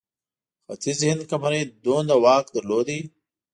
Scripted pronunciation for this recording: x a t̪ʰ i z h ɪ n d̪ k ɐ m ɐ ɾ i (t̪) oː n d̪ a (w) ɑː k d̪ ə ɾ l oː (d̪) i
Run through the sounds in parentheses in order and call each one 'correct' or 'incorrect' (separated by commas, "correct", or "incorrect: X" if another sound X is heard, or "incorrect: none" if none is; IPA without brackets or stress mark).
incorrect: d̪, correct, correct